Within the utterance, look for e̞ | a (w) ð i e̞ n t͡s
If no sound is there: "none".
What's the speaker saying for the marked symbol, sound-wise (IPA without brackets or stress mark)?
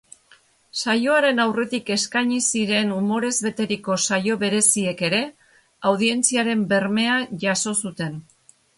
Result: w